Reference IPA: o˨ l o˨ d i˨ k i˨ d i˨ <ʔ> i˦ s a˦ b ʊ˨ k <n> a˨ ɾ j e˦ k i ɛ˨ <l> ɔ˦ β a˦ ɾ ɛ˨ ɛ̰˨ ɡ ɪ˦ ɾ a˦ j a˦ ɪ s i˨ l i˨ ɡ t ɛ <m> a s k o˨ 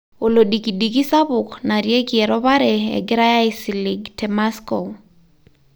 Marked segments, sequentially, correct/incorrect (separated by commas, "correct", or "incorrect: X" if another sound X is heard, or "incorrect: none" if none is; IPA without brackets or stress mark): incorrect: k, correct, incorrect: ɾ, correct